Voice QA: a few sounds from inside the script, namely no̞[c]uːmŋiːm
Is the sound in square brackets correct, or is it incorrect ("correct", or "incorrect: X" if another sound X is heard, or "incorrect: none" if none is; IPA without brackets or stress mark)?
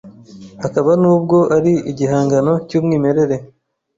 correct